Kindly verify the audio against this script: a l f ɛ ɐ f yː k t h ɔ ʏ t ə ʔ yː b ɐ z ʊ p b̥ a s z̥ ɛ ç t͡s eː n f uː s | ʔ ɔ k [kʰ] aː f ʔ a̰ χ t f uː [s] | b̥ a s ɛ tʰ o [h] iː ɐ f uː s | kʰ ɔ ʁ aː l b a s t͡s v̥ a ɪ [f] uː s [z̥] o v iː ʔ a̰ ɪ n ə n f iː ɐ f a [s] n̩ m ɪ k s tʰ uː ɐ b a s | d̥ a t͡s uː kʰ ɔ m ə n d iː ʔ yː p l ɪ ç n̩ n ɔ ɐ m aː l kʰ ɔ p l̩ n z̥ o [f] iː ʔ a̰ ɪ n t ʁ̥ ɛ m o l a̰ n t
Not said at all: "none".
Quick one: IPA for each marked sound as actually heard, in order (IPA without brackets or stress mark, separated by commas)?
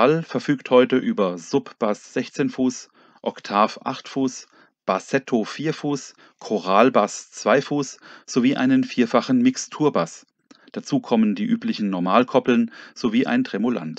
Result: tʰ, s, f, f, z̥, χ, v